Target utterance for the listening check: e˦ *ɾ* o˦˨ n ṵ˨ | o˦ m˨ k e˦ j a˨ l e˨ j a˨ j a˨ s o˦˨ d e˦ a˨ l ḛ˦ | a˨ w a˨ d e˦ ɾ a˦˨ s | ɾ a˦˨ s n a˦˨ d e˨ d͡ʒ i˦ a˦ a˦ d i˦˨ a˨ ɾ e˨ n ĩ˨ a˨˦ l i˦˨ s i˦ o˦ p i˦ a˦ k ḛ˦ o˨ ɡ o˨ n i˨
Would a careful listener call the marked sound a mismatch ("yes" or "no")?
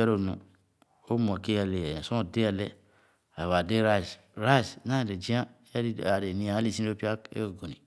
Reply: no